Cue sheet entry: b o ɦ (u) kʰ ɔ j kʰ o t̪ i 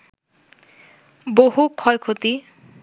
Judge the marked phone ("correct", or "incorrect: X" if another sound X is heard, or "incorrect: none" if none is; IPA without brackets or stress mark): correct